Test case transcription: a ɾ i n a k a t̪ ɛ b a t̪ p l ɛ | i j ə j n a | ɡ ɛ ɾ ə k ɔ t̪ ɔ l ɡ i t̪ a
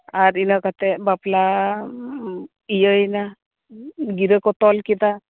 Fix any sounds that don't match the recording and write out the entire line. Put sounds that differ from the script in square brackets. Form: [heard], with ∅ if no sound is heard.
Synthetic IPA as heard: a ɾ i n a k a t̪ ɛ b a [∅] p l [a] | i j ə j n a | ɡ [i] ɾ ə k ɔ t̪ ɔ l [k] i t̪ a